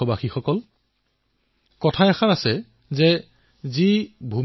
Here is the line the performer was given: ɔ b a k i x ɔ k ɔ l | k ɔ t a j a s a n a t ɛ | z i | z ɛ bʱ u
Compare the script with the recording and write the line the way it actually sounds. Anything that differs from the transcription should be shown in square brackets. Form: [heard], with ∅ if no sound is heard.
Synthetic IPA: ɔ b a [x] i x ɔ k ɔ l | k ɔ [tʰ] a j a [x] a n a [s] ɛ | z [ɛ] | z [i] bʱ u